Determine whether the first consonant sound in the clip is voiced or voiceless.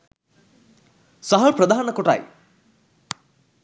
voiceless